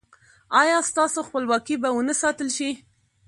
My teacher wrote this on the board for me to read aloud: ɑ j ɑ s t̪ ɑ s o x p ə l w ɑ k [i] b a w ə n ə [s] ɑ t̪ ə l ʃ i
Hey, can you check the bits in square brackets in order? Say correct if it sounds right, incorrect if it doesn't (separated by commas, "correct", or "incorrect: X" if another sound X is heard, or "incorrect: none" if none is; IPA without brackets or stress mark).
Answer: correct, correct